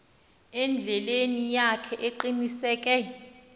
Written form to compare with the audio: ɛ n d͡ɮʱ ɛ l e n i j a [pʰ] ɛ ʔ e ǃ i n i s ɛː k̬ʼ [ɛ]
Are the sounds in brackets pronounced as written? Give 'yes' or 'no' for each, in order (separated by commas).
no, yes